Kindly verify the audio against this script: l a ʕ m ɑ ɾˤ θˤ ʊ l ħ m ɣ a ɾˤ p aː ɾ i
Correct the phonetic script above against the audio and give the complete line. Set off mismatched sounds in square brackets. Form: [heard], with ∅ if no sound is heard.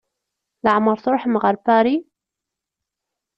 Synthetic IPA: l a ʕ m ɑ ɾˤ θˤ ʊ [ɾ] ħ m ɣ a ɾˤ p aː ɾ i